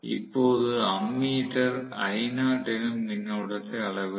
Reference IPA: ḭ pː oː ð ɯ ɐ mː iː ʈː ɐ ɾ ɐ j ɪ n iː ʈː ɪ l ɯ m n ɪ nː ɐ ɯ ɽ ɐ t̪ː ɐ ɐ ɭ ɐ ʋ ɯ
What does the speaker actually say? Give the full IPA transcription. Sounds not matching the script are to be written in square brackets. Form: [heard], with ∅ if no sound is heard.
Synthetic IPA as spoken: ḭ pː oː ð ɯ ɐ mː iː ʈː ɐ ɾ ɐ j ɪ n [aː] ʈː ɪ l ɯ m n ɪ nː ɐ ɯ ɽ ɐ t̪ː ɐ ɐ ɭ ɐ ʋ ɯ

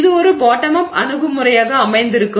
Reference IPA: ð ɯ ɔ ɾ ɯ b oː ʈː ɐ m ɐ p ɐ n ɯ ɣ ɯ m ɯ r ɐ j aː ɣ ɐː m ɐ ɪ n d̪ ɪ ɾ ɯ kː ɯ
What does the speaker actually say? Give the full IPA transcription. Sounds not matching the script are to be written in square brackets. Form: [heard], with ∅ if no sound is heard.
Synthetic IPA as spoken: ð ɯ ɔ ɾ ɯ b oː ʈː ɐ m ɐ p ɐ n ɯ ɣ ɯ m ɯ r ɐ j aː ɣ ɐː m ɐ ɪ n d̪ ɪ ɾ ɯ kː ɯ

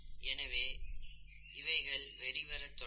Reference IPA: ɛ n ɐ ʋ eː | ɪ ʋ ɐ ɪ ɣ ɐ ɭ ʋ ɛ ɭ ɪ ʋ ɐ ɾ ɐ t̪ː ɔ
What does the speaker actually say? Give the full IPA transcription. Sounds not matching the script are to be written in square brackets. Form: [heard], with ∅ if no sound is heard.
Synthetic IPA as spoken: ɛ n ɐ ʋ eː | ɪ ʋ ɐ ɪ ɣ ɐ ɭ ʋ ɛ [ɾ] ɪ ʋ ɐ ɾ ɐ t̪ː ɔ

